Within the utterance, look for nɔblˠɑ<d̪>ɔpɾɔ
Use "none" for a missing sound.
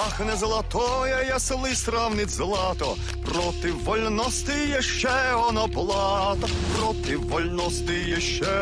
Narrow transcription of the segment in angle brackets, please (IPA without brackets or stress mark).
t̪